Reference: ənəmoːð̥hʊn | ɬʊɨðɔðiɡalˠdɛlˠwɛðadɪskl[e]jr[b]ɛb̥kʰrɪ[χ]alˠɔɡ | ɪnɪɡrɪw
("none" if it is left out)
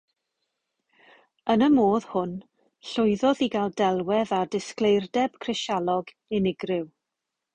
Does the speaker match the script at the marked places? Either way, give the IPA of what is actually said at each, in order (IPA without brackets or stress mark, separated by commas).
e, d, ʃ